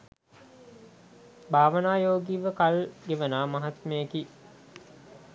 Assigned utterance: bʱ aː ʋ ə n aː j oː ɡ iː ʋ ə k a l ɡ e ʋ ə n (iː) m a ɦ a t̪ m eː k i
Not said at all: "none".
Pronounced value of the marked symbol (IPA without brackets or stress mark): aː